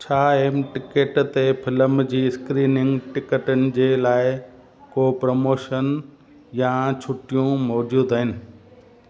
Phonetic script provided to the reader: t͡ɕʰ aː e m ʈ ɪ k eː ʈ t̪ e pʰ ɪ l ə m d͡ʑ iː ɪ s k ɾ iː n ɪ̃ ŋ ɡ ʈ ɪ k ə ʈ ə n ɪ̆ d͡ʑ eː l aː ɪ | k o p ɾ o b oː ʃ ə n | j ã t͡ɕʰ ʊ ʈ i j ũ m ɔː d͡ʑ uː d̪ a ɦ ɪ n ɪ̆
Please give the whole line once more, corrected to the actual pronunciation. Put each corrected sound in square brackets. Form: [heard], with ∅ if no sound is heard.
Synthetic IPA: t͡ɕʰ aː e m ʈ ɪ k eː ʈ t̪ e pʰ ɪ l ə m d͡ʑ iː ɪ s k ɾ iː n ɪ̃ ŋ ɡ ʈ ɪ k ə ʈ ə n ɪ̆ d͡ʑ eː l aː ɪ | k o p ɾ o [m] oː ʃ ə n | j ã t͡ɕʰ ʊ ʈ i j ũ m ɔː d͡ʑ uː d̪ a ɦ ɪ n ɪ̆